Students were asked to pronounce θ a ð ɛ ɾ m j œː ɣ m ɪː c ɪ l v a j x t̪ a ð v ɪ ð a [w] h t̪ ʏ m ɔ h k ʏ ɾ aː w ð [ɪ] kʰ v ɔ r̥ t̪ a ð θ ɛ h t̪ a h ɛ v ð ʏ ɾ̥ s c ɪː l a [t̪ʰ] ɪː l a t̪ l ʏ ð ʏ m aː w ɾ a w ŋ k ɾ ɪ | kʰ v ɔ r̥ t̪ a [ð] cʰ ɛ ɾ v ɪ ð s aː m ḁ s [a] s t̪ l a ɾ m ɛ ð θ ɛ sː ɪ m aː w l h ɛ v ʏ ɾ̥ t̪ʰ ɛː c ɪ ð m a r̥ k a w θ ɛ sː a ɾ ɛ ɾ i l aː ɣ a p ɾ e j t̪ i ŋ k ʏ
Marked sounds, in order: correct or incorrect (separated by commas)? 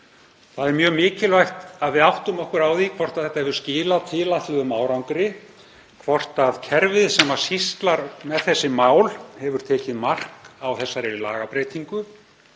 correct, incorrect, correct, correct, incorrect